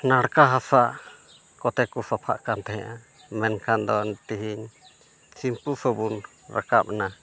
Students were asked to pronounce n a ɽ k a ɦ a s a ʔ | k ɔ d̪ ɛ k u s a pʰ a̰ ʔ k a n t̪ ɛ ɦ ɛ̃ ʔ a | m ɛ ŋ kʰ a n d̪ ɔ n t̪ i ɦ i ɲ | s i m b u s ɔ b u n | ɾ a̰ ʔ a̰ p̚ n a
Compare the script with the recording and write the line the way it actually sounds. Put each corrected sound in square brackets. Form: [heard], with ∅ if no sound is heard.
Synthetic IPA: n a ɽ k a ɦ a s a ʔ | k ɔ [t̪] ɛ k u s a pʰ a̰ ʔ k a n t̪ ɛ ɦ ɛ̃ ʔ a | m ɛ [n] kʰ a n d̪ ɔ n t̪ i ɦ i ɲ | s i m [p] u s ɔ b u n | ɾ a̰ [k] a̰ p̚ n a